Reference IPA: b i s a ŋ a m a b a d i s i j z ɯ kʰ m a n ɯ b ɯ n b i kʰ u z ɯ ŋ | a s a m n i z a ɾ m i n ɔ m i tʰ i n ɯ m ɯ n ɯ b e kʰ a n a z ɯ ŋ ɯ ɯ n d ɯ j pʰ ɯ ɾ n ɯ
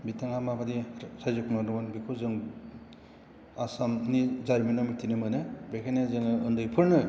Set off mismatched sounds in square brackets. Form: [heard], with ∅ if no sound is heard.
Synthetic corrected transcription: b i [t] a ŋ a m a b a d i s [a] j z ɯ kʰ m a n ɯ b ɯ n b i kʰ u z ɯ ŋ | a s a m n i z a ɾ m i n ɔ m i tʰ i n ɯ m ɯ n ɯ b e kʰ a n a z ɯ ŋ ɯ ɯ n d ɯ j pʰ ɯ ɾ n ɯ